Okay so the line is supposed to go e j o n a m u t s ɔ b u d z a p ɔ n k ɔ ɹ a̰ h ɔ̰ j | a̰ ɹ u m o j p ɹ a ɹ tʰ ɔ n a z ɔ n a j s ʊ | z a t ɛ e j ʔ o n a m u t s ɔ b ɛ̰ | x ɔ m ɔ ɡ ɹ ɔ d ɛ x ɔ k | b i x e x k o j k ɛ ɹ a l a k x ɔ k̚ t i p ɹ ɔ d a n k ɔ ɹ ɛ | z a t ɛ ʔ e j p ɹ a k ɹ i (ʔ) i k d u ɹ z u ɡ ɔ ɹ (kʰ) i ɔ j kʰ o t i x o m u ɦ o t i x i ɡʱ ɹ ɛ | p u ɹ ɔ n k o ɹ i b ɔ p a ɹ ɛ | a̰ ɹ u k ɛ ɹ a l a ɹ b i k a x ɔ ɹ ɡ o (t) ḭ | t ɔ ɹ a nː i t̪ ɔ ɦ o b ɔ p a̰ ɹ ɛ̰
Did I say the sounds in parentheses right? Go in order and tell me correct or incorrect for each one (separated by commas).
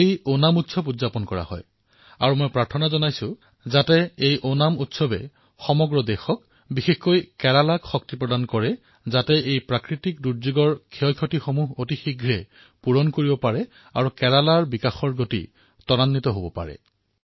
incorrect, correct, correct